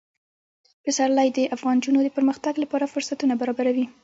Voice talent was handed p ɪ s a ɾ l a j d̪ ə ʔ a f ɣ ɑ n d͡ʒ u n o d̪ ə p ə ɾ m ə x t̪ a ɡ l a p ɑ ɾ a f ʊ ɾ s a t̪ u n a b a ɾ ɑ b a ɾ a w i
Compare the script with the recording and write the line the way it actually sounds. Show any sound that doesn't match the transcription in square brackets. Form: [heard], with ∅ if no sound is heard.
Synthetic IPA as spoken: p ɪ s a ɾ l a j d̪ ə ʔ a f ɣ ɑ n d͡ʒ u n o d̪ ə p ə ɾ m ə x t̪ a ɡ l a p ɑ ɾ a f ʊ ɾ s a t̪ u n a b a ɾ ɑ b a ɾ a w i

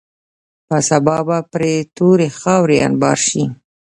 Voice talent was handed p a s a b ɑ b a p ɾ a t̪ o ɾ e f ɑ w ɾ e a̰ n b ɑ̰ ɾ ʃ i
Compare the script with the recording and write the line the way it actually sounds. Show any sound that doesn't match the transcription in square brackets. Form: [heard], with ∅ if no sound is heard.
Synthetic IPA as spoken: p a s a b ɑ b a p ɾ [e] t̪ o ɾ e [x] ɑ w ɾ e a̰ n b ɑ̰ ɾ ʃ i

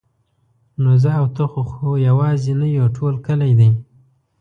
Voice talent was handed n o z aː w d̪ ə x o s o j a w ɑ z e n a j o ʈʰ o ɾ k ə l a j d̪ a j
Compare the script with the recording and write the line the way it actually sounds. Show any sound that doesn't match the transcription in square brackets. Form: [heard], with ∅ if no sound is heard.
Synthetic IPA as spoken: n o z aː w [t̪] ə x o [x] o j a w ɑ z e n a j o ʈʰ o [l] k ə l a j d̪ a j

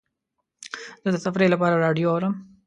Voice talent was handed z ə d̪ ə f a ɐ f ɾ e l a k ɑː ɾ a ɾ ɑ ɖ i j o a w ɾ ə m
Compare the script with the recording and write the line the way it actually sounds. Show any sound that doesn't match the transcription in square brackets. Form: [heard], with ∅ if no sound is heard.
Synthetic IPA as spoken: z ə d̪ ə [s] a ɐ f ɾ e l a [p] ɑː ɾ a ɾ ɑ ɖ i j o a w ɾ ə m

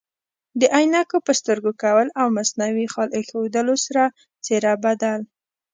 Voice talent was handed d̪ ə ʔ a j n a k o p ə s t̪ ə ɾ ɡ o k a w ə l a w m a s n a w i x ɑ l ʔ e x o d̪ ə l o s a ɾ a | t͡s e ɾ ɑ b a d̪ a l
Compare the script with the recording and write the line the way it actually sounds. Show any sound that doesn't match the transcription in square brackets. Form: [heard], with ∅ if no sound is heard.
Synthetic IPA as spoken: d̪ ə ʔ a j n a k o p ə s t̪ ə ɾ ɡ o k a w ə l a w m a s n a w i x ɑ l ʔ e x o d̪ ə l o s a ɾ a | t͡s e ɾ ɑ b a d̪ a l

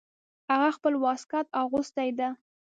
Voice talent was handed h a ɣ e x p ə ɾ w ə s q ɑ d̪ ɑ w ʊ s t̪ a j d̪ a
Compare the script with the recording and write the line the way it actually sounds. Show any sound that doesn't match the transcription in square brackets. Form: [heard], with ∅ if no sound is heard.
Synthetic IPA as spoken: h a ɣ [a] x p ə [l] w [ɑ] s [k] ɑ [t̪] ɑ [ɣ] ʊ s t̪ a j d̪ a

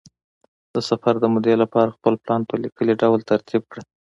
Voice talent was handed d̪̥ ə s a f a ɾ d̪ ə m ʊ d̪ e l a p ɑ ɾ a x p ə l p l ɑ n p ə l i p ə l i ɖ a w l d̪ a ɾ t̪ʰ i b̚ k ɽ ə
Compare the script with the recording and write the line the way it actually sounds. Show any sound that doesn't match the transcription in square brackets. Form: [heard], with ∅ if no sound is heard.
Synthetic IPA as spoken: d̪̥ ə s a f a ɾ d̪ ə m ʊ d̪ e l a p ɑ ɾ a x p ə l p l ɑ n p ə l i [k] ə l i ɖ a w l [t̪] a ɾ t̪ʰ i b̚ k ɽ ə

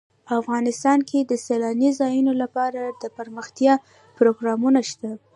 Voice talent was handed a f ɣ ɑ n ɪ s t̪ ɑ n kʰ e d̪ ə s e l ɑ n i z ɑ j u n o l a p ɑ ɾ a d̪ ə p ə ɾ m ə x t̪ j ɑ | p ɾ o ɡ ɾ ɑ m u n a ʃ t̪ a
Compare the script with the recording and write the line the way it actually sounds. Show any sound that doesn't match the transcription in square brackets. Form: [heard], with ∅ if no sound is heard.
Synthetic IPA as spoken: a f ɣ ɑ n ɪ s t̪ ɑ n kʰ e d̪ ə s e l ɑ n i z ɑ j u n o l a p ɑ ɾ a d̪ ə p ə ɾ m ə x t̪ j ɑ | p ɾ o ɡ ɾ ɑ m u n a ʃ t̪ a

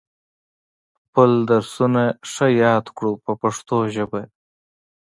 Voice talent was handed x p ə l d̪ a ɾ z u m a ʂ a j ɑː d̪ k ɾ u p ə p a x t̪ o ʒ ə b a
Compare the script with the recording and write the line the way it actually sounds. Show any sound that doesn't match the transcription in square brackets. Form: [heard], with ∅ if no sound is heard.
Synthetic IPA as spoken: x p ə l d̪ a ɾ [s] u [n] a ʂ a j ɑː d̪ k [ɽ] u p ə p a [ʂ] t̪ o ʒ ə b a

